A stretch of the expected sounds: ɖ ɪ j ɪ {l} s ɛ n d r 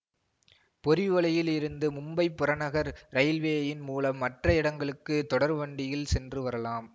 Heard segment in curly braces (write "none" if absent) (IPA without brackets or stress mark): l